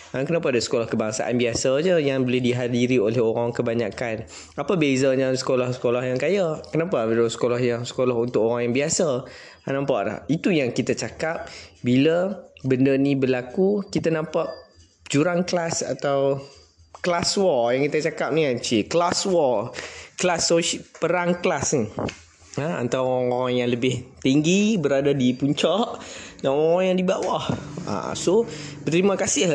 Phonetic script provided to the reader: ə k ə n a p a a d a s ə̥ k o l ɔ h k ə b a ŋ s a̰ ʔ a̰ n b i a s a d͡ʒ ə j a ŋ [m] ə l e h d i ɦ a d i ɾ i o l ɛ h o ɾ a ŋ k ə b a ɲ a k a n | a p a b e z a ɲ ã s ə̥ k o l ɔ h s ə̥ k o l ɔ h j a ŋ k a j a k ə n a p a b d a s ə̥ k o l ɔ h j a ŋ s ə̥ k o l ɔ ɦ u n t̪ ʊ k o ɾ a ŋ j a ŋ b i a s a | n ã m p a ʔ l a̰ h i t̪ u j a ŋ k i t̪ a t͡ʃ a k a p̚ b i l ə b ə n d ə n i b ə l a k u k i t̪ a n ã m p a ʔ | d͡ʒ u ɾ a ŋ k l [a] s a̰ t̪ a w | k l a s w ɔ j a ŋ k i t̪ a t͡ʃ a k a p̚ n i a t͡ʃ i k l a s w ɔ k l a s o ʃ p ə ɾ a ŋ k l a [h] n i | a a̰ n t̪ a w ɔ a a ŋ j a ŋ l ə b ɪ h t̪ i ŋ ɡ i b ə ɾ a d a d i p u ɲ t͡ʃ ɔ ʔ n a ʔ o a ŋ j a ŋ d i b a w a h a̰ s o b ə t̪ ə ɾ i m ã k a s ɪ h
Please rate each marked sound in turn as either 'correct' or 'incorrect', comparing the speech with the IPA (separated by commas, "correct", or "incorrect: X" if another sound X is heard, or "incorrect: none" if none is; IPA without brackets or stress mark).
incorrect: b, correct, incorrect: s